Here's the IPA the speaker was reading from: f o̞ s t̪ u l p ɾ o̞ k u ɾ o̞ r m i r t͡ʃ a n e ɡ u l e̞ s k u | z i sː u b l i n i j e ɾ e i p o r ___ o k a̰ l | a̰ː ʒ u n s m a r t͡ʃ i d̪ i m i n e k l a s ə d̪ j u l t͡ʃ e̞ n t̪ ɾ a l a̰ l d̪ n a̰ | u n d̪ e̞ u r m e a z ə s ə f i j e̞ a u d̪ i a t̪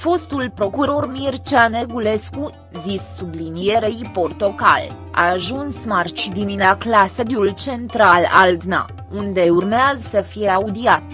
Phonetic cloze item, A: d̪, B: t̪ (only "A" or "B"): B